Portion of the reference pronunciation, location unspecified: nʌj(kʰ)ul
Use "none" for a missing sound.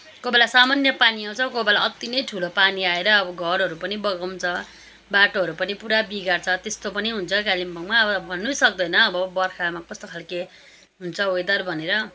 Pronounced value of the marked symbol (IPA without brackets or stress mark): ʈʰ